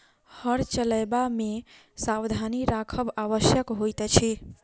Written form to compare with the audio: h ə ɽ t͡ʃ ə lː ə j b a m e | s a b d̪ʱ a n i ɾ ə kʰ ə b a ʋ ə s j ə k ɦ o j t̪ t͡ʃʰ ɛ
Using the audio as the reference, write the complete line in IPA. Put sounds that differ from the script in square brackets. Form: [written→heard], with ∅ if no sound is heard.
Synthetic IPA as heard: h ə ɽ t͡ʃ ə [lː→l] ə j b a m e | s a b d̪ʱ a n i ɾ [ə→a] kʰ ə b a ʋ ə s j ə k ɦ o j t̪ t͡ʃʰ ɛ